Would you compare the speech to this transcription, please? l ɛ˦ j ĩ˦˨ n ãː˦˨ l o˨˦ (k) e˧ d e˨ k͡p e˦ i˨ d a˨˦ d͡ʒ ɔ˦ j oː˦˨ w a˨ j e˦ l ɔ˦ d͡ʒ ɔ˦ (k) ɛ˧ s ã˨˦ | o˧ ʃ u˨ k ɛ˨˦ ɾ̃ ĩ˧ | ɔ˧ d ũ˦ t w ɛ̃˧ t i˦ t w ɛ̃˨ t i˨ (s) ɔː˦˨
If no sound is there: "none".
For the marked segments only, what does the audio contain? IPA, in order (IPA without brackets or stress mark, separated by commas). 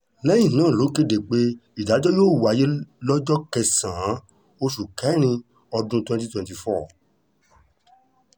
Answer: k, k, f